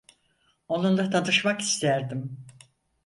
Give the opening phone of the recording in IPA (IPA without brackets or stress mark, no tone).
o̞